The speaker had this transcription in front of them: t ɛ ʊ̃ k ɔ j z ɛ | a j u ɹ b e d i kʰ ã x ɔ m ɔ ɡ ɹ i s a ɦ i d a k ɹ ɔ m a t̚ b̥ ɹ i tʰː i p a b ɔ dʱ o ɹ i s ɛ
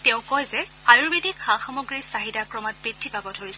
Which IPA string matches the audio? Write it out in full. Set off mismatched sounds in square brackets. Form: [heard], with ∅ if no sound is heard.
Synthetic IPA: t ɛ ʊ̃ k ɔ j z ɛ | a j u ɹ b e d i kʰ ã x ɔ m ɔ ɡ ɹ i s a ɦ i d a k ɹ ɔ m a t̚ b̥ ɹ i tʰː i p a b ɔ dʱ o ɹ i s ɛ